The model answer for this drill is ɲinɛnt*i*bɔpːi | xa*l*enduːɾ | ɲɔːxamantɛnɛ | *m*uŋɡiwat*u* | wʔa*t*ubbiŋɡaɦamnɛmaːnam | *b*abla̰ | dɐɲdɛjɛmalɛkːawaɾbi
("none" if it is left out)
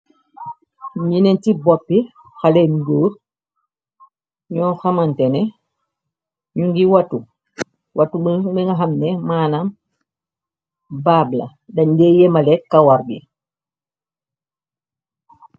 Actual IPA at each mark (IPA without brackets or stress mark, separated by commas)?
i, l, ɲ, u, t, b